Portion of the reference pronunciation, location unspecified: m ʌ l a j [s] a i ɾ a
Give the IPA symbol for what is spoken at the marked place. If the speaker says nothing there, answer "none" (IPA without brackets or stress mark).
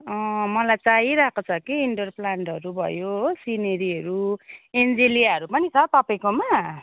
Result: t͡s